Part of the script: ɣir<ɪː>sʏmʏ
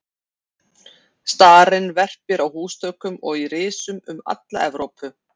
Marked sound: correct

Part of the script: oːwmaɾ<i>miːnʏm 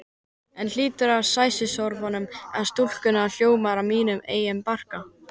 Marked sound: incorrect: a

